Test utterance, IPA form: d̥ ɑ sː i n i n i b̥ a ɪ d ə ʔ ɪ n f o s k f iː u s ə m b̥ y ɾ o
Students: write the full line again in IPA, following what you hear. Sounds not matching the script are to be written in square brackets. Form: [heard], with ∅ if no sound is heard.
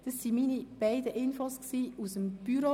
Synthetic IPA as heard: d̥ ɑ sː i [m] i n i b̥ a ɪ d ə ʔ ɪ n f o s k [s] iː u s ə m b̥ y ɾ o